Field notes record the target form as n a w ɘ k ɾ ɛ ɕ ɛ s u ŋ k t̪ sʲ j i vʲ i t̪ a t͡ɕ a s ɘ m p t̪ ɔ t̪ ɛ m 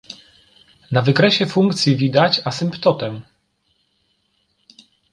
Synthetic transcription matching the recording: n a v ɘ k ɾ ɛ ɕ ɛ f u ŋ k t̪ sʲ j i vʲ i d̪ a t͡ɕ a s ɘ m p t̪ ɔ t̪ ɛ m